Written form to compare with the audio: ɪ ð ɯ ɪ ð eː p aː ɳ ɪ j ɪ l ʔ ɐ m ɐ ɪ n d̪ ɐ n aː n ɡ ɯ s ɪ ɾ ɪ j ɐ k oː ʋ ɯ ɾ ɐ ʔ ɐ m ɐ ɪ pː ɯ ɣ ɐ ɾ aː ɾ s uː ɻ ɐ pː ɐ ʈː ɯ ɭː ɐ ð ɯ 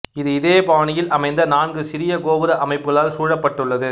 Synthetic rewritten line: ɪ ð ɯ ɪ ð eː p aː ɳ ɪ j ɪ l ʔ ɐ m ɐ ɪ n d̪ ɐ n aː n ɡ ɯ s ɪ ɾ ɪ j ɐ k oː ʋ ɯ ɾ ɐ ʔ ɐ m ɐ ɪ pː ɯ ɣ ɐ ɭ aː l s uː ɻ ɐ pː ɐ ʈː ɯ ɭː ɐ ð ɯ